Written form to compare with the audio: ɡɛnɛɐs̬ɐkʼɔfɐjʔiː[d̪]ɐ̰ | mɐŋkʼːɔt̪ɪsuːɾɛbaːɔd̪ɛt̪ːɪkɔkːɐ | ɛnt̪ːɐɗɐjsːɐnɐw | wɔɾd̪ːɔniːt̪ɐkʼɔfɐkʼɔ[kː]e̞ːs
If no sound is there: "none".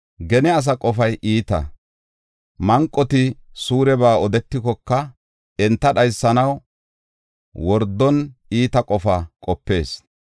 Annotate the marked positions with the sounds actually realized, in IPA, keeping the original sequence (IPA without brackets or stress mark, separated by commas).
t̪, pː